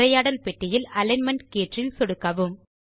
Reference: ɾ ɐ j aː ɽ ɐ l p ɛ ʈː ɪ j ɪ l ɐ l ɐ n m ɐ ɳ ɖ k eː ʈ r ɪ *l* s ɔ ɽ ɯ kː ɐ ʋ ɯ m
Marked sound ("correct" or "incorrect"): correct